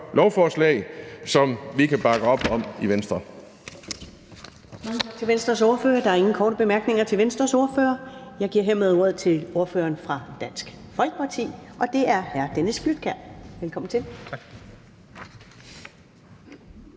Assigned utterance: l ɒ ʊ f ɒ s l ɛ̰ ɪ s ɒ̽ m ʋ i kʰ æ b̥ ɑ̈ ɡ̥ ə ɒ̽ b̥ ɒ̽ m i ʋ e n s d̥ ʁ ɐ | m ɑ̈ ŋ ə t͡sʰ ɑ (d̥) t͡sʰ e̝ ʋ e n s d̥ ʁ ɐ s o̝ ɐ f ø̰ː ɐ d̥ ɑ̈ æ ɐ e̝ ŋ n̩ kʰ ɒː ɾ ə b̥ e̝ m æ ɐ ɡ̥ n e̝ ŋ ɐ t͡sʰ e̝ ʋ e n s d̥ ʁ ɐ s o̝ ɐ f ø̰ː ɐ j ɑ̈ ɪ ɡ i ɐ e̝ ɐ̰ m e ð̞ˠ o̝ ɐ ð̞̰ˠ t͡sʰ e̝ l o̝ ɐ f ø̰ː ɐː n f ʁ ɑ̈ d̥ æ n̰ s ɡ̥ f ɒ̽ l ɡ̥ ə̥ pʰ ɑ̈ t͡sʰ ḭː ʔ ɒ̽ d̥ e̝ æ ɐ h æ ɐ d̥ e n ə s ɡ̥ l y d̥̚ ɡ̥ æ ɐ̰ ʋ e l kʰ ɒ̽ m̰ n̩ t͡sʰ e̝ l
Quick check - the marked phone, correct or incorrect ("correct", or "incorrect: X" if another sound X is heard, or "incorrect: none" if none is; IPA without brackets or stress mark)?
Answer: incorrect: ɡ̥